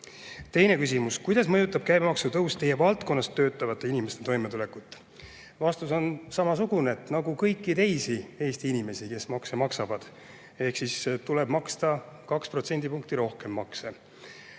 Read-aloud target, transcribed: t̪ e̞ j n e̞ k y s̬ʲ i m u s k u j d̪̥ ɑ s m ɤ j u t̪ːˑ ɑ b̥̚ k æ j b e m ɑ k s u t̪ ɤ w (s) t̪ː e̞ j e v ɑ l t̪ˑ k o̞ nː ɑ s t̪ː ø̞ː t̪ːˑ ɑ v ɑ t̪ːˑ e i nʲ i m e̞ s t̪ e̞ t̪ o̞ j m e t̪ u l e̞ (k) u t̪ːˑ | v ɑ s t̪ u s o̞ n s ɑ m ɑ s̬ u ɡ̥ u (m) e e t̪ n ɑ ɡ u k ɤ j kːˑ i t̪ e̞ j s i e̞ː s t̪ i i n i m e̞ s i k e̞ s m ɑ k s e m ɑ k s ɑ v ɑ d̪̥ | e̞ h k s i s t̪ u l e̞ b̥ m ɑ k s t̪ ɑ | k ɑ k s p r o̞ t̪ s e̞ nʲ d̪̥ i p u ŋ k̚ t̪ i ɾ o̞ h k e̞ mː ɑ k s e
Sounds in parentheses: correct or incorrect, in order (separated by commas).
correct, correct, incorrect